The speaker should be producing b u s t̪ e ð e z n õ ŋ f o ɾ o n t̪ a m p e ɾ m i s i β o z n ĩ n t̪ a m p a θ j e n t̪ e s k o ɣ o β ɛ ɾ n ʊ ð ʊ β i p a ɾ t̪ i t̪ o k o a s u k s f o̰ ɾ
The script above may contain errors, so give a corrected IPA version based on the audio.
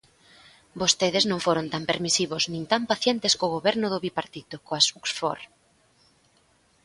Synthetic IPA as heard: b o s t̪ e ð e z n õ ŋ f o ɾ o n t̪ a m p e ɾ m i s i β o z n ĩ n t̪ a m p a θ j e n t̪ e s k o ɣ o β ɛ ɾ n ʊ ð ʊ β i p a ɾ t̪ i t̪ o k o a s u k s f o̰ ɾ